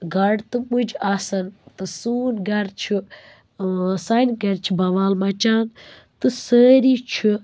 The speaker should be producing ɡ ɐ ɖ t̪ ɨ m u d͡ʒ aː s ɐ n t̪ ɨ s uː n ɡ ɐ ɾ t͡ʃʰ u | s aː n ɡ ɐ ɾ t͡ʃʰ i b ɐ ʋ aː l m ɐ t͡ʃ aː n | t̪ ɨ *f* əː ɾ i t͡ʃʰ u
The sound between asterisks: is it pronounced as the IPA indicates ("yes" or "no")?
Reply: no